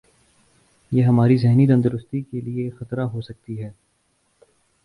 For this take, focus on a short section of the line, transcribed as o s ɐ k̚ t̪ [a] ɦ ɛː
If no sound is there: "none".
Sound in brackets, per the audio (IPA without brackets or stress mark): i